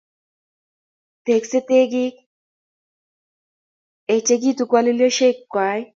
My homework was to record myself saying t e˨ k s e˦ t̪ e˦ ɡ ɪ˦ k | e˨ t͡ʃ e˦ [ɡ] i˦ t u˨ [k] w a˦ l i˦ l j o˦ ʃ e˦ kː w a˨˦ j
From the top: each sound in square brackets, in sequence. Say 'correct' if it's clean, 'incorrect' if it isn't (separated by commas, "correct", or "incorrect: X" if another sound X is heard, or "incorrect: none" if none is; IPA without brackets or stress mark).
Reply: correct, correct